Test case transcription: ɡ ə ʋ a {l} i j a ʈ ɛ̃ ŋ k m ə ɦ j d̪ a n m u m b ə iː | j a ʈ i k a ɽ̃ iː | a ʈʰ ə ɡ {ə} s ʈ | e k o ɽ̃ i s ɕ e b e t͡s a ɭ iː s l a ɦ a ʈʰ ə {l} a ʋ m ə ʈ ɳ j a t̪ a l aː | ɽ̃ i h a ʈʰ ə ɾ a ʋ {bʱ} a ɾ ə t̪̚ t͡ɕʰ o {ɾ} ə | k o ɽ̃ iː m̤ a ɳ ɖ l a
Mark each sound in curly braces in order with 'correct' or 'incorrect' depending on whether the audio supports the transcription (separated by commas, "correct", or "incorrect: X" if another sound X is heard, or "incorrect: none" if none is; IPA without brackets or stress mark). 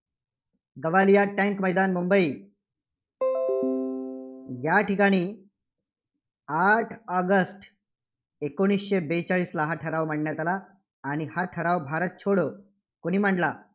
correct, correct, incorrect: ɾ, correct, incorrect: ɽ